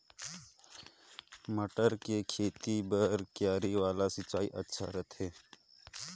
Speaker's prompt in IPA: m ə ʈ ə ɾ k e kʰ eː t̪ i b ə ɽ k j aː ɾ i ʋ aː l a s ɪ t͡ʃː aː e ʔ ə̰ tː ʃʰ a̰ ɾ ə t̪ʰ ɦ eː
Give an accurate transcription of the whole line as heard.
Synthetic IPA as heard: m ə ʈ ə ɾ k e kʰ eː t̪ i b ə ɾ k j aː ɾ i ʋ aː l a s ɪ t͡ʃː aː i ʔ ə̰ tː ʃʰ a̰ ɾ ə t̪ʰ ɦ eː